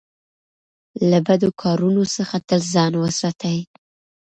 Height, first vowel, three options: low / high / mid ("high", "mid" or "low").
low